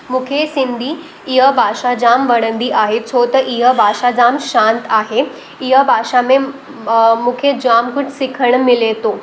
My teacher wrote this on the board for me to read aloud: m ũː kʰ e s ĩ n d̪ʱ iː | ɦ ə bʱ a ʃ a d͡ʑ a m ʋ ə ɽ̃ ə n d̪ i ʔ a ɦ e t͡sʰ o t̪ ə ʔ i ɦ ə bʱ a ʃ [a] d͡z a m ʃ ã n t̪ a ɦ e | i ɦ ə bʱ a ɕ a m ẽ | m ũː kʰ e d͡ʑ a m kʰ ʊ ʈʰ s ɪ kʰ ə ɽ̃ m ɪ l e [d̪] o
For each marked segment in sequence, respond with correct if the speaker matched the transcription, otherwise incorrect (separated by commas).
correct, incorrect